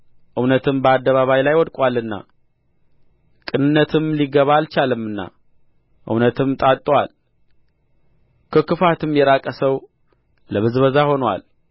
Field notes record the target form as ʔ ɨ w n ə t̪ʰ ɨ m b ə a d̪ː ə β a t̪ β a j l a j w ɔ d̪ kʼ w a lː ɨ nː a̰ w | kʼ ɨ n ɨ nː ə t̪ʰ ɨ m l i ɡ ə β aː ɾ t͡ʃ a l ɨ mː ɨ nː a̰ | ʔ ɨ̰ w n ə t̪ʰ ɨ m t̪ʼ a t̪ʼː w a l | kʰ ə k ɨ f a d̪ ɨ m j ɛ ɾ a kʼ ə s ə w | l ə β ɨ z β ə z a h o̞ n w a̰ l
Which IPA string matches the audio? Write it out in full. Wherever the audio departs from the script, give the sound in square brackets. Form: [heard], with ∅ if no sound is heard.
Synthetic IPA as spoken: ʔ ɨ w n ə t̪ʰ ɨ m b ə a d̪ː ə β a [∅] β a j l a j w ɔ d̪ kʼ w a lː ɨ nː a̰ [∅] | kʼ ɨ n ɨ nː ə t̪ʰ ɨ m l i ɡ ə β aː [l] t͡ʃ a l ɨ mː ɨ nː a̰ | ʔ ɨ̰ w n ə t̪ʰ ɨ m t̪ʼ a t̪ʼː w a l | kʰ ə k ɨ f a [t̪] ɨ m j ɛ ɾ a kʼ ə s ə w | l ə β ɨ z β ə z a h o̞ n w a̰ l